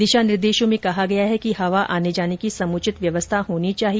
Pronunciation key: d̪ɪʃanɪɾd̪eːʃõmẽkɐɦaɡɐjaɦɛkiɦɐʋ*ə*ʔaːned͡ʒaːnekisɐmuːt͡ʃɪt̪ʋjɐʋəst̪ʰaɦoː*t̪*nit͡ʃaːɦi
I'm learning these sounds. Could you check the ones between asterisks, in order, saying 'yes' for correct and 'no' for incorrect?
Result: no, no

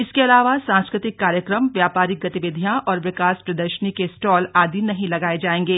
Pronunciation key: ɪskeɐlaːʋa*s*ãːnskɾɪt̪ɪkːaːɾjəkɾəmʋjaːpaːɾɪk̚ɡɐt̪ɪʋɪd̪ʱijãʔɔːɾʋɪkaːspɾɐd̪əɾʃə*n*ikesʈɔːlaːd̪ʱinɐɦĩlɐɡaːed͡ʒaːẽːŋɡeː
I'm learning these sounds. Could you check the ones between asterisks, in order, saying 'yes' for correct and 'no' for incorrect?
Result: yes, yes

